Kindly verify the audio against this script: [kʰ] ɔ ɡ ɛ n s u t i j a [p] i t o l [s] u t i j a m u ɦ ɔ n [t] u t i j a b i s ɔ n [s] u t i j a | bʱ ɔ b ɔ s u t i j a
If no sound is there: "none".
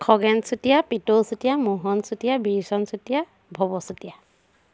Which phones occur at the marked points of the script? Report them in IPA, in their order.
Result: kʰ, p, s, s, s

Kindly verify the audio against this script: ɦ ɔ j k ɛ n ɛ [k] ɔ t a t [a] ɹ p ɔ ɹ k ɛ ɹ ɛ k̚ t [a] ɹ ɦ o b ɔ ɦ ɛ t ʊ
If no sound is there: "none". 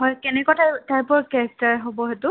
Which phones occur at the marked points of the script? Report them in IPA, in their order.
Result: k, a, a

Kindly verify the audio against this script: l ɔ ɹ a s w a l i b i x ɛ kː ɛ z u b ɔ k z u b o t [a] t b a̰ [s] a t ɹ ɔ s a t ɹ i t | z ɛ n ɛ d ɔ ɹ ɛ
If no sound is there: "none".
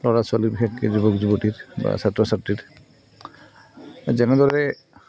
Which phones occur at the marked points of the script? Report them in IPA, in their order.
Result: i, s

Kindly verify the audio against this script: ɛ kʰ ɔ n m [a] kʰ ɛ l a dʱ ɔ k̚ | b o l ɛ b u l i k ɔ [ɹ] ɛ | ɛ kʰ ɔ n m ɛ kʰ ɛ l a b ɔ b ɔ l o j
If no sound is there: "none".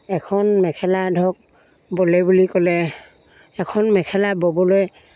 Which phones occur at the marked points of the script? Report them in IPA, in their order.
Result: ɛ, l

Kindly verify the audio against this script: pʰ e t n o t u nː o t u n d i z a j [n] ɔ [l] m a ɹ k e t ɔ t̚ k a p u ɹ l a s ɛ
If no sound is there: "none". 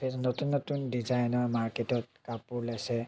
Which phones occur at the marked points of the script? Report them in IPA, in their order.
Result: n, ɹ

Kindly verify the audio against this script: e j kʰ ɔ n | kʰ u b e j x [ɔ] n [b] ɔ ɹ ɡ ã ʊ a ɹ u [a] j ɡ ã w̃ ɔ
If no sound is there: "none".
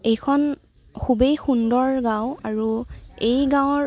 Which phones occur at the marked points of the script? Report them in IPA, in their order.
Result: u, d, e

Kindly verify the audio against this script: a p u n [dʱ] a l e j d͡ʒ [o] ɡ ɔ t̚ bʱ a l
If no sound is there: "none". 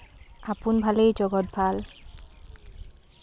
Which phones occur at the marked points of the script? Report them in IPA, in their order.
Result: bʱ, ɔ

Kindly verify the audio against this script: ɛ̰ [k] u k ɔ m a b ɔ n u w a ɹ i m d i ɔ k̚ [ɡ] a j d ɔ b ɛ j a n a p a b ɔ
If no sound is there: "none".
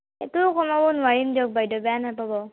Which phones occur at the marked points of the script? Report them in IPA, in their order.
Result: t, b

